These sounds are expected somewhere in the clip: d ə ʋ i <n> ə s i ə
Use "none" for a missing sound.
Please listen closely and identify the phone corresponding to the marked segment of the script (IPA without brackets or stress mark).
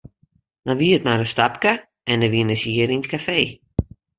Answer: n